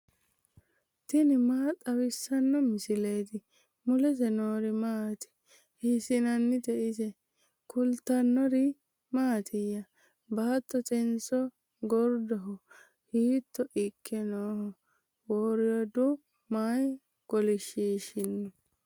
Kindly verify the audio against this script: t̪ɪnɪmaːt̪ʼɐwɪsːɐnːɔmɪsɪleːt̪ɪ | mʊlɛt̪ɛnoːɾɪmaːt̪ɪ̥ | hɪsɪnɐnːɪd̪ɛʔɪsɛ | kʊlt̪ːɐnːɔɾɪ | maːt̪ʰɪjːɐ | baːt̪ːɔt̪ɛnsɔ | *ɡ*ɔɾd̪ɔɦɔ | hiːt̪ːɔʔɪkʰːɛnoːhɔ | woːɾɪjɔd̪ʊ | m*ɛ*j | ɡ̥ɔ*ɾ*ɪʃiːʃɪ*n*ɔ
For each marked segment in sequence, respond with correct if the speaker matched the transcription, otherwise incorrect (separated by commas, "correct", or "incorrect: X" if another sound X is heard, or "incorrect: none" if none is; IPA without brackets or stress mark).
correct, incorrect: a, incorrect: l, incorrect: nː